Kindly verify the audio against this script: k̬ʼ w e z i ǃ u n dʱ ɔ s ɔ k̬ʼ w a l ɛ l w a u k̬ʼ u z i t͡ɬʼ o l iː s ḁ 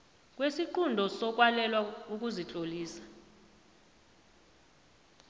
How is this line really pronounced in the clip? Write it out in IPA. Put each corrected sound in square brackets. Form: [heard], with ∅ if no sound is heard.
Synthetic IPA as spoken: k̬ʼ w e [s] i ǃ u n dʱ ɔ s ɔ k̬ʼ w a l ɛ l w a u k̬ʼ u z i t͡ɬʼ o l iː s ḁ